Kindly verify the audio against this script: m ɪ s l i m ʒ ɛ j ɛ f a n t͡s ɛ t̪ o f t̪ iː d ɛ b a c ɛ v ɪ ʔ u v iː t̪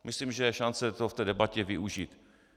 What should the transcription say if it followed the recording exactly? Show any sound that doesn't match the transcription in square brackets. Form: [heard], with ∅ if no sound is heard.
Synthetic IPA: m ɪ s l i m ʒ ɛ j ɛ [ʃ] a n t͡s ɛ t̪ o f t̪ [ɛː] d ɛ b a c ɛ v ɪ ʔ u [ʒ] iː t̪

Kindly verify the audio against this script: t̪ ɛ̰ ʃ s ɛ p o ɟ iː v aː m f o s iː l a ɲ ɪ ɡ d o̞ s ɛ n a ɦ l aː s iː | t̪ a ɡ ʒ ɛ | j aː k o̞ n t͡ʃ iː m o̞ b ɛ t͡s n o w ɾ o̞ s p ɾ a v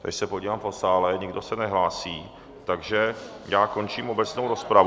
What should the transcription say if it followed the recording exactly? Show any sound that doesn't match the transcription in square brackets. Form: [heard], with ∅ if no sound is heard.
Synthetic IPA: t̪ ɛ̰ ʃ s ɛ p o ɟ iː v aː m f o s [aː] l [ɛ] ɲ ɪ ɡ d o̞ s ɛ n [ɛ] ɦ l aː s iː | t̪ a ɡ ʒ ɛ | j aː k o̞ n t͡ʃ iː m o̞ b ɛ t͡s n o w ɾ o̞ s p ɾ a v

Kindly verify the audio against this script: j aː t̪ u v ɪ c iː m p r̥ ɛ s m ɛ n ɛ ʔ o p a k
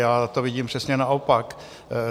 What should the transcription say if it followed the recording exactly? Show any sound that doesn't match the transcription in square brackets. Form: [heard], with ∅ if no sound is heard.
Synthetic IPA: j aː t̪ [o] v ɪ [ɟ] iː m p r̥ ɛ s [ɲ] ɛ n [a] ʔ o p a k

